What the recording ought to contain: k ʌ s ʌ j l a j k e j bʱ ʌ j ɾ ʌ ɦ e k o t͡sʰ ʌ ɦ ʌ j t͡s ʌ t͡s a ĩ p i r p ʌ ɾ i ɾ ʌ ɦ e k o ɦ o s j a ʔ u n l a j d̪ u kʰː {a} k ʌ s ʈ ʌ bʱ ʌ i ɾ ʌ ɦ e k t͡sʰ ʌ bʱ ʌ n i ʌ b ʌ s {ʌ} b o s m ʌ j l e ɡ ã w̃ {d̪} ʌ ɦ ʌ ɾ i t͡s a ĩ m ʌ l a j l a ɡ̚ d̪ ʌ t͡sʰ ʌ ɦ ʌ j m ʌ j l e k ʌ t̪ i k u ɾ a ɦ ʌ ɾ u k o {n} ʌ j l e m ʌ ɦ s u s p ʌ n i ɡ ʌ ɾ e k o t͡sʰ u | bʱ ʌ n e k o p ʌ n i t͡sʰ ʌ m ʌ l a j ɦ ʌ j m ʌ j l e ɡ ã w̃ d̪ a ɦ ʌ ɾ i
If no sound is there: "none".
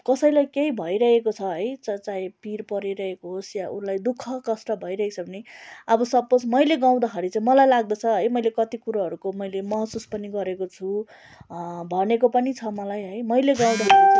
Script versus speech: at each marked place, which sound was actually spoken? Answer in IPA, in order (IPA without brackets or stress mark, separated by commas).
ʌ, ʌ, d̪, m